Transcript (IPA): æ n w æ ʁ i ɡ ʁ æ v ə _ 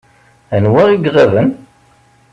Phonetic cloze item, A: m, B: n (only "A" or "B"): B